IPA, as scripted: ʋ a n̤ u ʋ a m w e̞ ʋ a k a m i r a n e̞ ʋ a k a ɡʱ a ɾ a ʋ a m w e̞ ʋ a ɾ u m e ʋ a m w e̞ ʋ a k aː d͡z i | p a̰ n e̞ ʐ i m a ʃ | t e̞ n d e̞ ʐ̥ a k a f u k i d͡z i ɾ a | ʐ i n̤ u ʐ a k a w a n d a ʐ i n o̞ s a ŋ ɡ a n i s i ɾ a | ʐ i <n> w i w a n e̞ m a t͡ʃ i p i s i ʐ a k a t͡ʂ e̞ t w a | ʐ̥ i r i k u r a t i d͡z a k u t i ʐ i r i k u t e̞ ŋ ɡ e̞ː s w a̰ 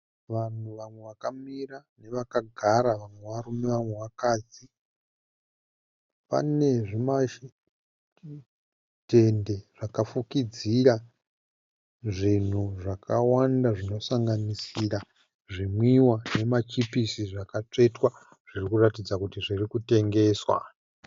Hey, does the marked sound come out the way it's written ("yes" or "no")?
no